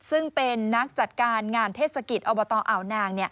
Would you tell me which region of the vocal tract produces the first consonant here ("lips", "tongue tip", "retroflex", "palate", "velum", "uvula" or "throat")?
tongue tip